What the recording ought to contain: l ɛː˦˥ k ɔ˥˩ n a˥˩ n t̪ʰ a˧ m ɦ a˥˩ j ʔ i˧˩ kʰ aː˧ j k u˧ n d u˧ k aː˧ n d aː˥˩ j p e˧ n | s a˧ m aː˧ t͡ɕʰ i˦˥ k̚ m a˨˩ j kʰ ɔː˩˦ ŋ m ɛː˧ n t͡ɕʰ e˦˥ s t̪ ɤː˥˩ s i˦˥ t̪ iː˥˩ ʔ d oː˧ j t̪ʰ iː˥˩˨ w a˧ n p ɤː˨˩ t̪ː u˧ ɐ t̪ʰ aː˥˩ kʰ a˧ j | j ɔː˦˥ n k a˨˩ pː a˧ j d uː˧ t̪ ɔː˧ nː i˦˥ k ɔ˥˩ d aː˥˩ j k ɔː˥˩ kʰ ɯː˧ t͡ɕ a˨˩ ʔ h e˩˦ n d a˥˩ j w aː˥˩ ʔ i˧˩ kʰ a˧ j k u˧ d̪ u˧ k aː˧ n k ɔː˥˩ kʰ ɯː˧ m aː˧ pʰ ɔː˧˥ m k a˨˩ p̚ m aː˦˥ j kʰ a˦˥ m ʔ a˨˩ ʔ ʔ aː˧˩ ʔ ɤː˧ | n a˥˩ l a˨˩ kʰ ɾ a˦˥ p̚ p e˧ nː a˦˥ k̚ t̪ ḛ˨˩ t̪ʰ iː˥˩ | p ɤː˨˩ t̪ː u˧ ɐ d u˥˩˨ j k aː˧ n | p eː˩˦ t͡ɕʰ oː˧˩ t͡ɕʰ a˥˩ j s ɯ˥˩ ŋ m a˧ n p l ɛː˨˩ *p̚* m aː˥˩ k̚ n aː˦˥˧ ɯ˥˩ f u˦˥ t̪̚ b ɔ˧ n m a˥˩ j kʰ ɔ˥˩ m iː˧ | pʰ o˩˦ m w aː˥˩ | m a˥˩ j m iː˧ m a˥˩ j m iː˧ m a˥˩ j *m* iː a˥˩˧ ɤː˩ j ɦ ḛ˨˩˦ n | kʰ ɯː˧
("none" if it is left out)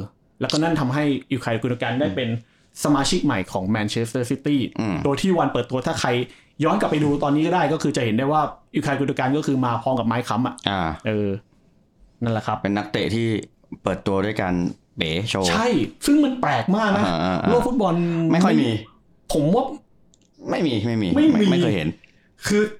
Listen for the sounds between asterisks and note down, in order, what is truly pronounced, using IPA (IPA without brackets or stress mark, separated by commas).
k̚, m